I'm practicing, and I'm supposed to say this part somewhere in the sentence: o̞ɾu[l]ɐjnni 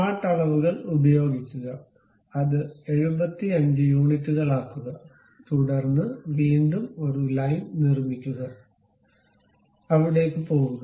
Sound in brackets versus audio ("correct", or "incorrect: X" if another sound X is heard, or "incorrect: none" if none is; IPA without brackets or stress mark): correct